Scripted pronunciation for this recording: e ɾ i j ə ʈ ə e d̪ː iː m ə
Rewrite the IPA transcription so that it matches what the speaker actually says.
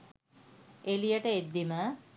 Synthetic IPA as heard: e l i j ə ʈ ə e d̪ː i m ə